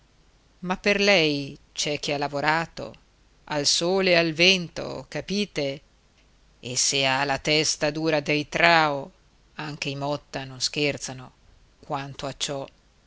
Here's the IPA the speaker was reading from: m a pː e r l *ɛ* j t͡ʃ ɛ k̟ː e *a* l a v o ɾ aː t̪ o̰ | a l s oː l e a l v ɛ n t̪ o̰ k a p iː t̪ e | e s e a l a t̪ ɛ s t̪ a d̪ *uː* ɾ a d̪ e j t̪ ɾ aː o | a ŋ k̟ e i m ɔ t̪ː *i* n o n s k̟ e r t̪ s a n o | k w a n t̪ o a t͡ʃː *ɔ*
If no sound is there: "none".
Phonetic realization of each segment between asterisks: ɛ, a, uː, a, ɔ

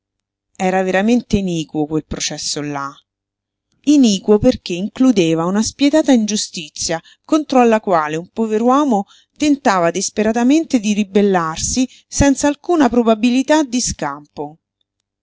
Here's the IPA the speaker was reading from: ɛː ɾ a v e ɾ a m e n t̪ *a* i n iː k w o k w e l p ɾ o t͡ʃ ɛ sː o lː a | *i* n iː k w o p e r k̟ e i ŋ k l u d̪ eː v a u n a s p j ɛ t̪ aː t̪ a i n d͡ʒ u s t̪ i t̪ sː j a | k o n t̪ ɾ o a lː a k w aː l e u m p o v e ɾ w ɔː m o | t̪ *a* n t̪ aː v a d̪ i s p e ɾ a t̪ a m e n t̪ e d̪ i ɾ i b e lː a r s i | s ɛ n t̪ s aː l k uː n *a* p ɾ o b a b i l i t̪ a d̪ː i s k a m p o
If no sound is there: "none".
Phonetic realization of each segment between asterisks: e, i, e, a

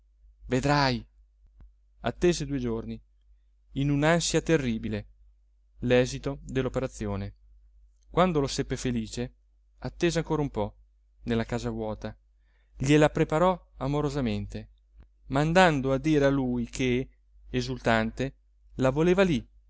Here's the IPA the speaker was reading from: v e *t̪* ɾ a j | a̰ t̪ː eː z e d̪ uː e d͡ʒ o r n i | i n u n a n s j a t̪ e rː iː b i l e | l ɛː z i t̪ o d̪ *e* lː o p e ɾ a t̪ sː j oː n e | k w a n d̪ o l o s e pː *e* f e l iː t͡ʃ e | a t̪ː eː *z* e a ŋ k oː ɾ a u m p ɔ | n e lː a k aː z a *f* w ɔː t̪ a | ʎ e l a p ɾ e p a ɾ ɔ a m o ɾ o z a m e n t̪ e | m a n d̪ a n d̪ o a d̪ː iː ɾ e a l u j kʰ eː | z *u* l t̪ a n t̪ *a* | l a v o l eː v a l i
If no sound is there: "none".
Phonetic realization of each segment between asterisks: d̪, e, e, z, v, u, e

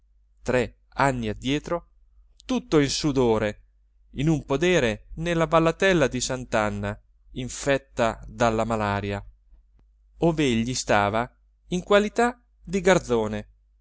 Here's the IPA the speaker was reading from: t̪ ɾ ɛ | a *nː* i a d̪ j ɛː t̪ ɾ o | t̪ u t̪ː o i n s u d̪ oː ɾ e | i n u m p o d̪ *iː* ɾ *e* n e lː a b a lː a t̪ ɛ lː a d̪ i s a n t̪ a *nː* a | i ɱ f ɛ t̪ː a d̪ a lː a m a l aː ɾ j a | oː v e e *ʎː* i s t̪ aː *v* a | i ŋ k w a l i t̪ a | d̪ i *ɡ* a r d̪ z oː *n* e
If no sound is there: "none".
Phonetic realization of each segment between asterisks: nː, ɛː, e, nː, ʎː, v, ɡ, n

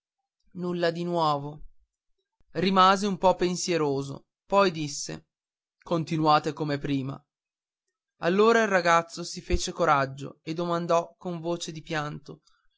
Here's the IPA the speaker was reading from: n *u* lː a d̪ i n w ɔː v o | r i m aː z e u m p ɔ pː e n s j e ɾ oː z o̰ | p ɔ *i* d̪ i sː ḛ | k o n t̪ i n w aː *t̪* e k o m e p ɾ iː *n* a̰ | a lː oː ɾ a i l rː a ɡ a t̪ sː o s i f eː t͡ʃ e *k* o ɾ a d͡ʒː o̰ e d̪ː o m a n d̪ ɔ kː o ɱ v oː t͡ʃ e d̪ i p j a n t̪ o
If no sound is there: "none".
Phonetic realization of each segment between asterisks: u, j, t̪, m, k

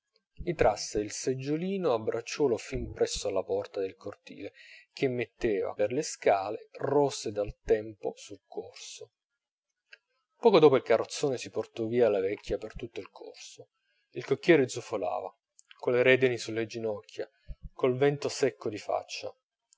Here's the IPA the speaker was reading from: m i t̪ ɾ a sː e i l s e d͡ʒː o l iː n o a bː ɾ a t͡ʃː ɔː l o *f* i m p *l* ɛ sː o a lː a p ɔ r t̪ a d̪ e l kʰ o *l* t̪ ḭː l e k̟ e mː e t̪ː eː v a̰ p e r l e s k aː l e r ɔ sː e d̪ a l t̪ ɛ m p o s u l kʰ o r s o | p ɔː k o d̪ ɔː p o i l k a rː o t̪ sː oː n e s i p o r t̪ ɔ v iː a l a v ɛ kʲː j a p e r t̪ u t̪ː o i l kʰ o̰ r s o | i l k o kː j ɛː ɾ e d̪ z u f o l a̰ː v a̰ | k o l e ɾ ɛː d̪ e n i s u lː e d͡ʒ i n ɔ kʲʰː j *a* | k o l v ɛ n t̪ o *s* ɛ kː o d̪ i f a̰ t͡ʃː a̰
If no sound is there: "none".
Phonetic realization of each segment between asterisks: f, ɾ, r, a, s

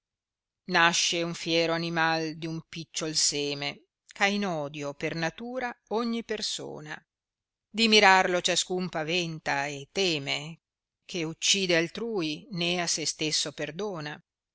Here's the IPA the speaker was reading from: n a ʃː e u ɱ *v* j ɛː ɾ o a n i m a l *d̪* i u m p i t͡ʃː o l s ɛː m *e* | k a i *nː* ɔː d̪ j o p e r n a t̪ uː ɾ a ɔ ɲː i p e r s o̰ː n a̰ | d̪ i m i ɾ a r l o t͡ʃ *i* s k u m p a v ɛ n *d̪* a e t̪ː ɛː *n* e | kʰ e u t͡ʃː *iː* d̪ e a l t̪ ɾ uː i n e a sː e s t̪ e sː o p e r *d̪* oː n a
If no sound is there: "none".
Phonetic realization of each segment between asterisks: f, d̪, e, n, a, t̪, m, iː, d̪

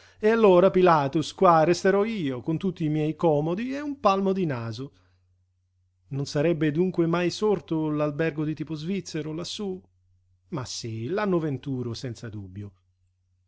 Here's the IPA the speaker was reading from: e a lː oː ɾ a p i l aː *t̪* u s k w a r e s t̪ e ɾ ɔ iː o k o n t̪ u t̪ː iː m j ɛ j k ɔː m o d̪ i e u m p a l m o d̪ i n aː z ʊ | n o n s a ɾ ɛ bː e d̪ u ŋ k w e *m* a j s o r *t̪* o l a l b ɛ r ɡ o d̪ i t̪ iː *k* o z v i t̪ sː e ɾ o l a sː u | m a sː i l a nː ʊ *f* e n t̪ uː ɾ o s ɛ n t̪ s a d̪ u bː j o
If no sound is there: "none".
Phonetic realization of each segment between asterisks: t̪, m, t̪, p, v

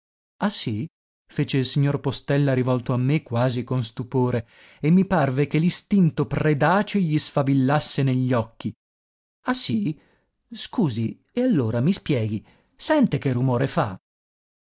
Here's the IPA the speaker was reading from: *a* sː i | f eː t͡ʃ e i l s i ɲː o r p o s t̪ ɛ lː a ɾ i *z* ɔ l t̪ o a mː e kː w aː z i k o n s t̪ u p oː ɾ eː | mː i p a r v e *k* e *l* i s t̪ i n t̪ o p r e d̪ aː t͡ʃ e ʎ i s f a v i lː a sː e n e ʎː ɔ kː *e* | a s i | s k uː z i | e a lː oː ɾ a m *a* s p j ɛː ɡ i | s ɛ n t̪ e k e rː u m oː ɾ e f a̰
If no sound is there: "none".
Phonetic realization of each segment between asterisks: a, v, k, l, i, i

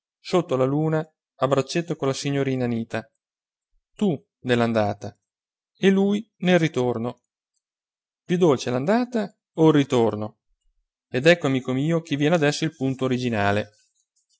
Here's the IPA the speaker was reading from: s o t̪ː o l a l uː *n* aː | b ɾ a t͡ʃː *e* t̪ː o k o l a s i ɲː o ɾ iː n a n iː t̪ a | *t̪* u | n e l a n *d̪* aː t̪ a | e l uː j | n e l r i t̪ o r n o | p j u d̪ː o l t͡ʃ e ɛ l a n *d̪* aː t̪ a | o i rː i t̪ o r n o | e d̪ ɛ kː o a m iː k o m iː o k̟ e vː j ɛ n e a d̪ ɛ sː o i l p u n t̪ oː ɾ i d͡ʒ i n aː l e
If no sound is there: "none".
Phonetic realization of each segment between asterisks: n, e, t̪, d̪, d̪

